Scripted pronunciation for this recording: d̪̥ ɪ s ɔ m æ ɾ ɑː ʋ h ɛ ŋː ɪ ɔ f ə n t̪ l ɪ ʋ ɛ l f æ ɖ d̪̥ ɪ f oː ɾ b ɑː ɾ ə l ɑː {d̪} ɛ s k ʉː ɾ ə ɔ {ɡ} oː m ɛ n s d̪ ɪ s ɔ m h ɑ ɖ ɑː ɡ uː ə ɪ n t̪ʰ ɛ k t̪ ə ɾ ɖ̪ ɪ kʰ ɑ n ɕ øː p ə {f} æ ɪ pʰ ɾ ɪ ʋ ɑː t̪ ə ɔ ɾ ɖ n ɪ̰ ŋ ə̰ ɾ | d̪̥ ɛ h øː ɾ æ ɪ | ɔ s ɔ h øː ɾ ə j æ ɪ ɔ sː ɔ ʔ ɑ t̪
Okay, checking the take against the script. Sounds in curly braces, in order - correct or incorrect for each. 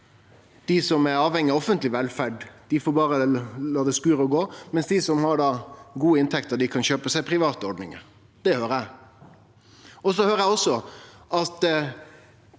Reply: correct, correct, incorrect

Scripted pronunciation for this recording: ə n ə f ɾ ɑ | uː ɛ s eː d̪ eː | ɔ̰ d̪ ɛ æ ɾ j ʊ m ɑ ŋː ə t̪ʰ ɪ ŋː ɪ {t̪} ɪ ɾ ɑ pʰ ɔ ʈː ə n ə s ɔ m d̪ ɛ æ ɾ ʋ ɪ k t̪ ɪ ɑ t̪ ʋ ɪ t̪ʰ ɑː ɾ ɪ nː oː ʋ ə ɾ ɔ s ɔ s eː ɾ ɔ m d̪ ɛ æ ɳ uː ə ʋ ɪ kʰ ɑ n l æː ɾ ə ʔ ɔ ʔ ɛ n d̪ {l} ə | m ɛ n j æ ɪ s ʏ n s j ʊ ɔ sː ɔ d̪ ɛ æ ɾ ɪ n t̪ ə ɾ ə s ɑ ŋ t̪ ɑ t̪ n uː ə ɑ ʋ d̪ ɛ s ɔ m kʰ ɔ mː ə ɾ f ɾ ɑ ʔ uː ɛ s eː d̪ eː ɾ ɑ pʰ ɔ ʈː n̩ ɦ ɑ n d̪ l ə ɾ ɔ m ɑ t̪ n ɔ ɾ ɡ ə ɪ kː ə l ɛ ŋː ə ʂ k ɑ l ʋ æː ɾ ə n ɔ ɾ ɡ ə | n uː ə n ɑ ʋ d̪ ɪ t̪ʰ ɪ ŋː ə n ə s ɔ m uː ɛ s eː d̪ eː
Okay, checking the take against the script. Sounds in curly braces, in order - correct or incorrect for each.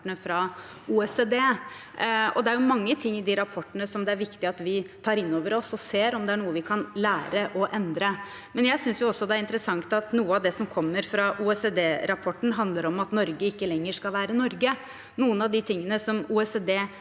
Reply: incorrect, incorrect

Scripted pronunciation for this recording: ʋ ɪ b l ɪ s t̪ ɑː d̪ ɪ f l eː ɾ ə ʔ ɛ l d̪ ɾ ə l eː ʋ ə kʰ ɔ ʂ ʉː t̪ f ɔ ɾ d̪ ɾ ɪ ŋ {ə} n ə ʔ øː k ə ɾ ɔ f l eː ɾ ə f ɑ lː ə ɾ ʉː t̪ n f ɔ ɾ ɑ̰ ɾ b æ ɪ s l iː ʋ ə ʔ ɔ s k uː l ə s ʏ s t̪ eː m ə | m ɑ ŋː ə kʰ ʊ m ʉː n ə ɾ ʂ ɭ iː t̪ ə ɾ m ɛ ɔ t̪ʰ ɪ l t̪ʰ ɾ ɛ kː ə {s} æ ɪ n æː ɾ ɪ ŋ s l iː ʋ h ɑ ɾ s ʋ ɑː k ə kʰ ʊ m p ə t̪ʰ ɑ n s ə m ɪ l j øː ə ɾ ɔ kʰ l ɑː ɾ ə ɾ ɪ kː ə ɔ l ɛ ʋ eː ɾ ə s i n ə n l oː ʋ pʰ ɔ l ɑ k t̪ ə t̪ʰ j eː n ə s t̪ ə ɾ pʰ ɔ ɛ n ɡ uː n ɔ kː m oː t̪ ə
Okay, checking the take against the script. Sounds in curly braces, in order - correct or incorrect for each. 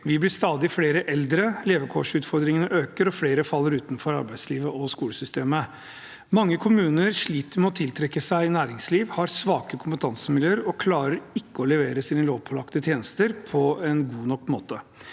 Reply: correct, correct

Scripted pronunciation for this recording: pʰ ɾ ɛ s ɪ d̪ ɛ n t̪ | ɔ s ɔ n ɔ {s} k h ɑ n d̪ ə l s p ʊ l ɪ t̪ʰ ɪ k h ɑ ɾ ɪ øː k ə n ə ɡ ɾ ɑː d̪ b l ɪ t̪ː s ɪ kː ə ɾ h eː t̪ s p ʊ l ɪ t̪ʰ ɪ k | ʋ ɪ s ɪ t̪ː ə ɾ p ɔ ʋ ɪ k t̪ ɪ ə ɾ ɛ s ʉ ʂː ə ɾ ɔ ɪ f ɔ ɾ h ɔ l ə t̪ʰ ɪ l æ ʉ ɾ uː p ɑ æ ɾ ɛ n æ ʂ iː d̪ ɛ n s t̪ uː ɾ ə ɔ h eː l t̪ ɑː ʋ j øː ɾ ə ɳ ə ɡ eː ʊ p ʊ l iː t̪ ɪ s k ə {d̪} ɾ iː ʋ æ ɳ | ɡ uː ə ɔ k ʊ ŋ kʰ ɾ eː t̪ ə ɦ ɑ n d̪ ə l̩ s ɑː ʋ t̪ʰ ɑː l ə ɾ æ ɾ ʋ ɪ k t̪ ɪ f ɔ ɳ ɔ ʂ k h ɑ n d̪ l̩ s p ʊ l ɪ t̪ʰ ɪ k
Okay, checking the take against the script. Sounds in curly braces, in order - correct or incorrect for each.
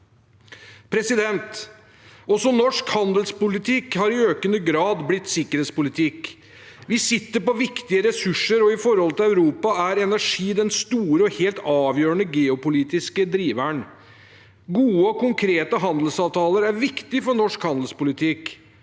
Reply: incorrect, correct

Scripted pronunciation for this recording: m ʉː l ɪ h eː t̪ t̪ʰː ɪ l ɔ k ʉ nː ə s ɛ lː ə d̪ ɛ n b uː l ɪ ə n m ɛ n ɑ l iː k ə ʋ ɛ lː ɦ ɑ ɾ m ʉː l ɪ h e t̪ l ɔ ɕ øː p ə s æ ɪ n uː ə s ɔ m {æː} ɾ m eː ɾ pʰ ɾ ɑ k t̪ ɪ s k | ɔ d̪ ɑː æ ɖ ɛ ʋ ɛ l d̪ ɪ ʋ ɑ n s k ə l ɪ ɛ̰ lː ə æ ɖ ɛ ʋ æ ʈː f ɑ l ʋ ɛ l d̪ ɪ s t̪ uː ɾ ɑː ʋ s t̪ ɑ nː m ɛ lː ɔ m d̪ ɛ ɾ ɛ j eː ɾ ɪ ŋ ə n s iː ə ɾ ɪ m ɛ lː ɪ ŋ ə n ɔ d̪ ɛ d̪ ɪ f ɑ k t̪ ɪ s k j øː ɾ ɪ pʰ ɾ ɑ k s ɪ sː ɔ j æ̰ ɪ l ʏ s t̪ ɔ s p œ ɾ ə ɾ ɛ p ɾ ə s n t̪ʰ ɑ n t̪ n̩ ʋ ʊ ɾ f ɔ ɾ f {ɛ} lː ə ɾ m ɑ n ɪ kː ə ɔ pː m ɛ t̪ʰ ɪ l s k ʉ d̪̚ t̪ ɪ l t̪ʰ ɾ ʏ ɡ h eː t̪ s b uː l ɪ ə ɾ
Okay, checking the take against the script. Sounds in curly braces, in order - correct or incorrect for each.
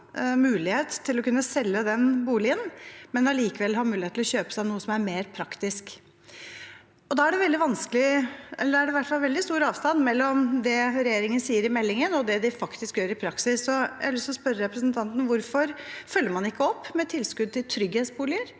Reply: incorrect, incorrect

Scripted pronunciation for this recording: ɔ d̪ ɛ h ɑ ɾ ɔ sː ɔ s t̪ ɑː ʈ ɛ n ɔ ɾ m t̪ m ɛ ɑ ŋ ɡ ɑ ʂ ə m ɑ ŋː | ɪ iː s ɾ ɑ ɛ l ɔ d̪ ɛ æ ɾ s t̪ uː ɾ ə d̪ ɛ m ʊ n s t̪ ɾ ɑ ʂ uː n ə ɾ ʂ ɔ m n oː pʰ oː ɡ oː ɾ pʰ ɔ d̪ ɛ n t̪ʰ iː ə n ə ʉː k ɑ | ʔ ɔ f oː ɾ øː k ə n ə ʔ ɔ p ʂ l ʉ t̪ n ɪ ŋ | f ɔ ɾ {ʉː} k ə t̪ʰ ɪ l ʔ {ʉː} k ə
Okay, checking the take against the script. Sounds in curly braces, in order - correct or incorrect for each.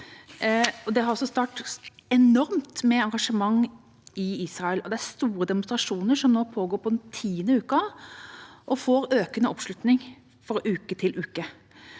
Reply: correct, correct

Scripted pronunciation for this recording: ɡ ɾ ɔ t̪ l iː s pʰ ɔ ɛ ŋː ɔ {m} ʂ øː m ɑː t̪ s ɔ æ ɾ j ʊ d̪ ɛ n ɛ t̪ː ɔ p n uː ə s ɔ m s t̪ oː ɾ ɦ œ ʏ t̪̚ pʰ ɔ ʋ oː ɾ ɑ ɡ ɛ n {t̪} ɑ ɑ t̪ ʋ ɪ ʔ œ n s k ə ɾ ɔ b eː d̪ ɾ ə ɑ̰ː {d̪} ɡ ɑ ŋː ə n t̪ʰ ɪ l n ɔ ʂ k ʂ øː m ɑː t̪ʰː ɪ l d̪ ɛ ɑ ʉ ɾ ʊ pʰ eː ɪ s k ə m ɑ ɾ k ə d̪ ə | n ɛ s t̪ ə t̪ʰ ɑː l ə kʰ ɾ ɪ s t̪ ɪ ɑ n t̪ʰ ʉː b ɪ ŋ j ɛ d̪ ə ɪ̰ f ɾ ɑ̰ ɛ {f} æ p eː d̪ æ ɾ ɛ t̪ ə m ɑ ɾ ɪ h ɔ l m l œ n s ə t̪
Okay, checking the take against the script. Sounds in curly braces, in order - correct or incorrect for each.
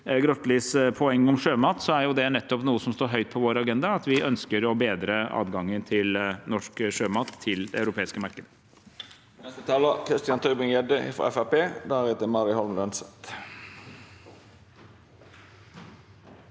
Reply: correct, incorrect, correct, correct

